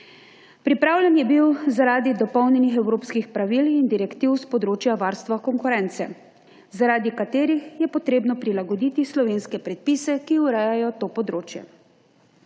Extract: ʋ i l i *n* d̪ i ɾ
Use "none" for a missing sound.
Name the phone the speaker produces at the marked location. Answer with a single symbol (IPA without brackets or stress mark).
n